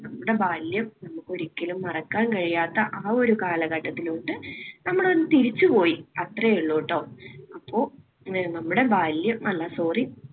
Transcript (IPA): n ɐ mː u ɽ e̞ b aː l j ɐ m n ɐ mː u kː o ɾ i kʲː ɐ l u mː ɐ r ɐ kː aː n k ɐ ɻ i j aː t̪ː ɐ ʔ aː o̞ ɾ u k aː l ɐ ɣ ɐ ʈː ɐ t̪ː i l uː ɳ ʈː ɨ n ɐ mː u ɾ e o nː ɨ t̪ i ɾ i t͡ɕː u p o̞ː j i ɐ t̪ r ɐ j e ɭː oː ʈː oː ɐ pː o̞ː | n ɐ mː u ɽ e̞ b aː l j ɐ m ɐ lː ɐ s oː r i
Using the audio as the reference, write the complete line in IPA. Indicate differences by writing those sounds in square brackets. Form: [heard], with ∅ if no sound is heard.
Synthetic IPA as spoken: n ɐ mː u ɽ e̞ b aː l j ɐ m n ɐ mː u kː o ɾ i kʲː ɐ l u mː ɐ r ɐ kː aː n k ɐ ɻ i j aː t̪ː ɐ ʔ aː o̞ ɾ u k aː l ɐ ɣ ɐ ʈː ɐ t̪ː i l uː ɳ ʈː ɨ n ɐ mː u [ɽ] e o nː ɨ t̪ i ɾ i t͡ɕː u p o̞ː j i ɐ t̪ r ɐ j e ɭː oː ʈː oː ɐ pː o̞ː | n ɐ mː u ɽ e̞ b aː l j ɐ m ɐ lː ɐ s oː r i